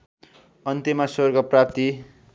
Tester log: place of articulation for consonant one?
alveolar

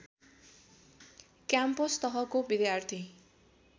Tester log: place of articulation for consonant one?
velar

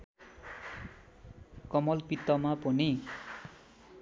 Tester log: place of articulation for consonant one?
velar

